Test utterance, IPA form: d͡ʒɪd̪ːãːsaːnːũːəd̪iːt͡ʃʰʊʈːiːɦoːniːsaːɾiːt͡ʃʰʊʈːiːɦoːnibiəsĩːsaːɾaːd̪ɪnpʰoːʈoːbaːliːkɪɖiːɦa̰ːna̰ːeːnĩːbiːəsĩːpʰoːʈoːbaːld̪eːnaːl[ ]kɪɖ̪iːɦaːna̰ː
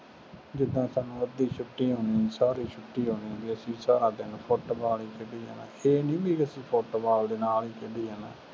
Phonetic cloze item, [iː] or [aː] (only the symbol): iː